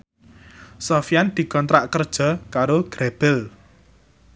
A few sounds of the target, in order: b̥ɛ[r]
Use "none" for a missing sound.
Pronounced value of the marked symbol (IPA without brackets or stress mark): l